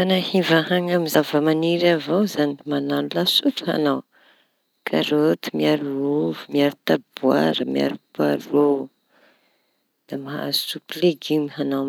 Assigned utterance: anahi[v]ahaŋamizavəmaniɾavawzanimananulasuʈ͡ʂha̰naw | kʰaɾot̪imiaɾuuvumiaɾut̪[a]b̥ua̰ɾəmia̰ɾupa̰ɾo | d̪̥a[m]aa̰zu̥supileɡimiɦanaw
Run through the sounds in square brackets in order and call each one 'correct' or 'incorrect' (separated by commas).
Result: correct, correct, correct